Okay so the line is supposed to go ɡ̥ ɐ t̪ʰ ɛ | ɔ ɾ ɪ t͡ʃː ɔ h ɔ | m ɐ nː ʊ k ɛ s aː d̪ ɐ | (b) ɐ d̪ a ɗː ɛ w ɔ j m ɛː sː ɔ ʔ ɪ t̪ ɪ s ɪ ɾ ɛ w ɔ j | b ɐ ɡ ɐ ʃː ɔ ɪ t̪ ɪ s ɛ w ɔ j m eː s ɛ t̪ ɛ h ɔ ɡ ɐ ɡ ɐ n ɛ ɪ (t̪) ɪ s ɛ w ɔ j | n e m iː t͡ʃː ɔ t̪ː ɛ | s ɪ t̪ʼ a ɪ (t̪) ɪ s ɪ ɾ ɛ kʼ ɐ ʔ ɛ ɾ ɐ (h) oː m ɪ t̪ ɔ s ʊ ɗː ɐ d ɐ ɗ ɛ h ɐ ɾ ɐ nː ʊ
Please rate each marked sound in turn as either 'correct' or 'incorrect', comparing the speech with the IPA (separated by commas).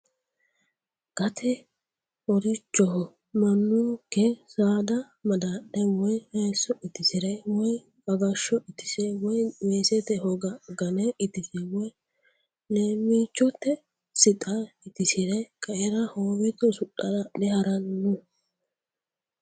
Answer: incorrect, correct, correct, correct